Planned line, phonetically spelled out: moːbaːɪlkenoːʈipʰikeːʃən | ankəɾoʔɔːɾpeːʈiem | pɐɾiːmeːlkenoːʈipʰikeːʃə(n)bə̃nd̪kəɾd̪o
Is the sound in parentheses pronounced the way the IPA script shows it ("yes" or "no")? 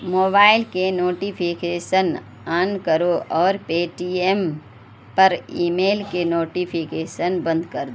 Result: yes